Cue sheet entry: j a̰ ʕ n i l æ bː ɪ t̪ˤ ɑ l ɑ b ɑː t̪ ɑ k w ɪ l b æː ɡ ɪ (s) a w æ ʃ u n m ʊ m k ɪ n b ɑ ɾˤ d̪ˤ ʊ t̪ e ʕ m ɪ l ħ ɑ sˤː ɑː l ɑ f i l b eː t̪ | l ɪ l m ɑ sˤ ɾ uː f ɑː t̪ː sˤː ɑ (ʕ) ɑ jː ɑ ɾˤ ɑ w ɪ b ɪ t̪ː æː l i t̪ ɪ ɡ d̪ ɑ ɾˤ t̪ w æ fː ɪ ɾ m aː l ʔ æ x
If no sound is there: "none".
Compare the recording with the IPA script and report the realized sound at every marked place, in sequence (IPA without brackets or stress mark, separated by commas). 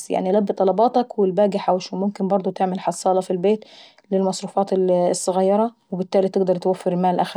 ħ, ɣ